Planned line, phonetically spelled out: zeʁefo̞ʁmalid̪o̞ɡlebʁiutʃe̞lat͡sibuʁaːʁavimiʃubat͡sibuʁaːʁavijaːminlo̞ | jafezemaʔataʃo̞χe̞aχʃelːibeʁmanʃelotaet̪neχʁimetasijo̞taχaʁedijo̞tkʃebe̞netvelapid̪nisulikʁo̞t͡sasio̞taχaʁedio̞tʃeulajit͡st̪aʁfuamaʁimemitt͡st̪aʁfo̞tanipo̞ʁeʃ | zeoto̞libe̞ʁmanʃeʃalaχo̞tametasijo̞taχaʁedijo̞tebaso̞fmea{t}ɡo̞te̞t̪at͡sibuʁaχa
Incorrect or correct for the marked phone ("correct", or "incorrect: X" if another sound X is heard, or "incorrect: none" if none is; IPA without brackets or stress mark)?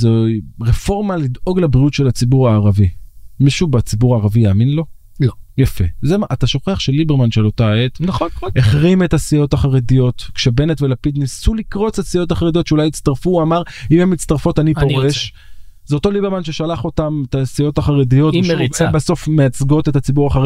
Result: incorrect: t͡s